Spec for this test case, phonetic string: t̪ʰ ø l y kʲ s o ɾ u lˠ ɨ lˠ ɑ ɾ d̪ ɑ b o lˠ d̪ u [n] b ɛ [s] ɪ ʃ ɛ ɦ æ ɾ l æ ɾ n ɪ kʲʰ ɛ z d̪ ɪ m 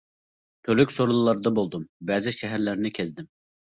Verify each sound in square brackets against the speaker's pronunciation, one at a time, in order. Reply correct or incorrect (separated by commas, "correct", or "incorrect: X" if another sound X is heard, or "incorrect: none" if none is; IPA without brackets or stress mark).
incorrect: m, incorrect: z